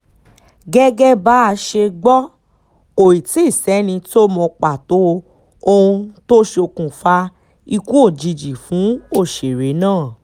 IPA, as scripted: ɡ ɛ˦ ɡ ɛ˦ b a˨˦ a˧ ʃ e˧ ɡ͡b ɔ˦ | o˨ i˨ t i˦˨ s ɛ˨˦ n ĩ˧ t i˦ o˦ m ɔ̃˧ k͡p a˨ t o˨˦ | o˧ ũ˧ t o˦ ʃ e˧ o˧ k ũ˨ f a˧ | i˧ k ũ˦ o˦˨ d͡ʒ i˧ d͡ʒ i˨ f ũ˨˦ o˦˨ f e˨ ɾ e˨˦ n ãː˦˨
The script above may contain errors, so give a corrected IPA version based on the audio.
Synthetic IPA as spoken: ɡ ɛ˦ ɡ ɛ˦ b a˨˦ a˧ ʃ e˧ ɡ͡b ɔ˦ | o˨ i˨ t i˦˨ s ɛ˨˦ n ĩ˧ t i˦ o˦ m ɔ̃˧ k͡p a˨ t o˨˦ | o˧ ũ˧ t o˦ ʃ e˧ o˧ k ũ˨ f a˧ | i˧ k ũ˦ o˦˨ d͡ʒ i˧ d͡ʒ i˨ f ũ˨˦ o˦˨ ʃ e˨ ɾ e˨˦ n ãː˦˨